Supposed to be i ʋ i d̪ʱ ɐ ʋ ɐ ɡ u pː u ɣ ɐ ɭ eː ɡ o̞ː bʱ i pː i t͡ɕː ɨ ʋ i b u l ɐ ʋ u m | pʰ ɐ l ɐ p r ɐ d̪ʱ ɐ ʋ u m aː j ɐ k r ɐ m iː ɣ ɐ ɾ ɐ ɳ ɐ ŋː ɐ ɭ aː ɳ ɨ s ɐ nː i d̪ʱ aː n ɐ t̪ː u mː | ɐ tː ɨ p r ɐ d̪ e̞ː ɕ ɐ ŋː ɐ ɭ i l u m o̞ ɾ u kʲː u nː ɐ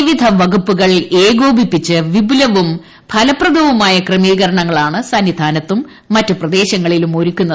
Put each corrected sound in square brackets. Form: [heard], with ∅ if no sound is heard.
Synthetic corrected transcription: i ʋ i d̪ʱ ɐ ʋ ɐ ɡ u pː u ɣ ɐ ɭ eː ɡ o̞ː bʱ i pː i t͡ɕː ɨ ʋ i b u l ɐ ʋ u m | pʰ ɐ l ɐ p r ɐ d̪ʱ ɐ ʋ u m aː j ɐ k r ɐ m iː ɣ ɐ ɾ ɐ ɳ ɐ ŋː ɐ ɭ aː ɳ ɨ s ɐ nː i d̪ʱ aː n ɐ t̪ː u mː | ɐ tː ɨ p r ɐ d̪ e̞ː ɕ ɐ ŋː ɐ ɭ i l u m o̞ ɾ u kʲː u nː ɐ